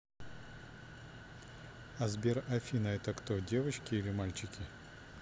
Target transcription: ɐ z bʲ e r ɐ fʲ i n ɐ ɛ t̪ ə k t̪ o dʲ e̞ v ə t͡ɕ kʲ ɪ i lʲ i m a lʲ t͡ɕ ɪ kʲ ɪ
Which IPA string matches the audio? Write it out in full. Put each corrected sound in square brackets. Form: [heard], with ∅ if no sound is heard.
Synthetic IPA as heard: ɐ z bʲ e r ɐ fʲ i n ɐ ɛ t̪ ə k t̪ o dʲ e̞ v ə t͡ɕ kʲ ɪ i lʲ [ɪ] m a lʲ t͡ɕ ɪ kʲ ɪ